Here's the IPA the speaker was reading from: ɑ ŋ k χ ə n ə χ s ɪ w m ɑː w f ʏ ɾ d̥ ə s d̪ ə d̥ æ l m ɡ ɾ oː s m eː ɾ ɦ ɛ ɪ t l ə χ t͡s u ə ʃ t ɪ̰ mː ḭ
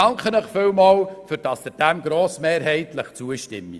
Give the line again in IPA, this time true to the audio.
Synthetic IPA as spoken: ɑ ŋ k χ ə n ə χ f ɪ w m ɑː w f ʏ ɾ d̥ ɑ s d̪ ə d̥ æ m ɡ ɾ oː s m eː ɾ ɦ ɛ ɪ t l ə χ t͡s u ə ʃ t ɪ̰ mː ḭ